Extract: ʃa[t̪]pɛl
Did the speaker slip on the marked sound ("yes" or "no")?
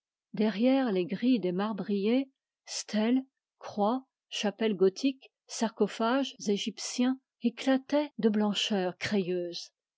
yes